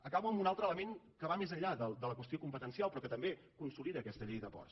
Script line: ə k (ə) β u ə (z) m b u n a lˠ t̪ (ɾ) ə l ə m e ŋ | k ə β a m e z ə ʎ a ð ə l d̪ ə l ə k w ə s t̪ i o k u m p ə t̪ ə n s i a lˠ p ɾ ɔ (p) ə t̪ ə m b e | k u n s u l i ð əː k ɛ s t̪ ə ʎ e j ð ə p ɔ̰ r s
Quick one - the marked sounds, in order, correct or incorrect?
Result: incorrect, incorrect, correct, incorrect

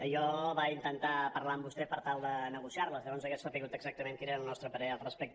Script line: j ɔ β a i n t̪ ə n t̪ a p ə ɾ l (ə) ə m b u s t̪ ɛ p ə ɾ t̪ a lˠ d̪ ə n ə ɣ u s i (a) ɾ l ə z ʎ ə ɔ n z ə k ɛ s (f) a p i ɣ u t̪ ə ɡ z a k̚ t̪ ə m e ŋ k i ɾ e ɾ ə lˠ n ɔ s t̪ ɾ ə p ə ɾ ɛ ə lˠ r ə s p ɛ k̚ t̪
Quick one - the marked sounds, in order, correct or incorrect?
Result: incorrect, correct, correct

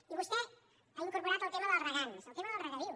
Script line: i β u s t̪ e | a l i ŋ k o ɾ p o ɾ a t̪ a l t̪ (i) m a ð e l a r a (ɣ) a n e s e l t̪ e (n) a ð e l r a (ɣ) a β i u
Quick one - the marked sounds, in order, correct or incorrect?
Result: incorrect, correct, incorrect, correct

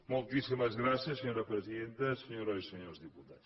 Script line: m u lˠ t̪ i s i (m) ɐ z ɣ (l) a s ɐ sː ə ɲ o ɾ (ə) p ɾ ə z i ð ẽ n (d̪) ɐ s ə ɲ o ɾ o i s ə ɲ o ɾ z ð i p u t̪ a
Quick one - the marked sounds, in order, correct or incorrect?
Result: correct, incorrect, incorrect, incorrect

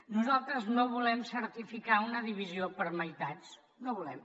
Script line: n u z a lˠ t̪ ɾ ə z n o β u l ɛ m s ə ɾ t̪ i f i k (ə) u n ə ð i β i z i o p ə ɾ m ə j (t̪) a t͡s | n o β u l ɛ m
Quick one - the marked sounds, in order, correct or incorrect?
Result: incorrect, correct

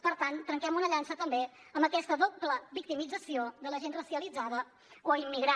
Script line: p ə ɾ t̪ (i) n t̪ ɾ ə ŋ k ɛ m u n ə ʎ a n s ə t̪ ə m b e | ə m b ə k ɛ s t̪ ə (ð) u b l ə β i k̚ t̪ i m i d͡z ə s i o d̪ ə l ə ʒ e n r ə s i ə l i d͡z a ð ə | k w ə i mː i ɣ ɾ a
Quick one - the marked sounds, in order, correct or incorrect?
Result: incorrect, correct

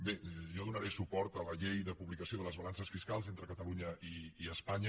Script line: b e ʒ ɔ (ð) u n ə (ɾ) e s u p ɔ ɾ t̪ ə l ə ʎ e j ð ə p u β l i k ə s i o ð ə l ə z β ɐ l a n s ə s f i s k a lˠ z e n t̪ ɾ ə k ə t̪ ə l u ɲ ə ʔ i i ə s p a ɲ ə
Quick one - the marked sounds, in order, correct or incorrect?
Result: correct, correct

